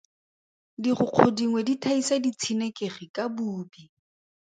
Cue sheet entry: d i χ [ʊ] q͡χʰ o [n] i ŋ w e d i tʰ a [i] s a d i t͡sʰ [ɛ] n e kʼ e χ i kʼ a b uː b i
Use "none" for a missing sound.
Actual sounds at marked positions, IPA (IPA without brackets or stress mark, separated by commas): ʊ, d, i, i